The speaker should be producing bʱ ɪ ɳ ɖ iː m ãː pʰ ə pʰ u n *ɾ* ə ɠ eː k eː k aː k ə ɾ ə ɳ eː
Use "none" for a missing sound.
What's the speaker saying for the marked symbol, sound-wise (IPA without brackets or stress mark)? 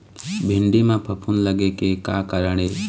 l